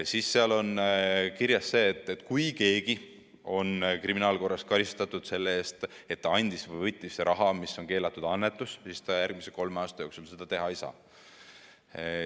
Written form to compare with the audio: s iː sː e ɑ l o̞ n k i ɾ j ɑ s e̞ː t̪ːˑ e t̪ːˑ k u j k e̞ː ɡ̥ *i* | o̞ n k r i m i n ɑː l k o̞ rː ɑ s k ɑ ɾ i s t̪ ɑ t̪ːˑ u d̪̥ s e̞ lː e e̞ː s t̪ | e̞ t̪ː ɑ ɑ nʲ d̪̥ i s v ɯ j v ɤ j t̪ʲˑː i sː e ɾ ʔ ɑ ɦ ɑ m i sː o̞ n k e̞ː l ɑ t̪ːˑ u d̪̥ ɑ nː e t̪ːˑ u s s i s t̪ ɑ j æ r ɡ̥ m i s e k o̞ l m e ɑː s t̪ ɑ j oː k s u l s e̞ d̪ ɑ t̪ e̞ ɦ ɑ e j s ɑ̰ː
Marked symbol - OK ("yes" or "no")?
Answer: yes